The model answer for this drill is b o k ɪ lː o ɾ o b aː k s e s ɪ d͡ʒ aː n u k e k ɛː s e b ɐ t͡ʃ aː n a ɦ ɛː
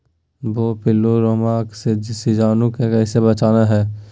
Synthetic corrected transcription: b o p ɪ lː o ɾ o m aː k s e s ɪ d͡ʒ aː n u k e k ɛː s e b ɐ t͡ʃ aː n a ɦ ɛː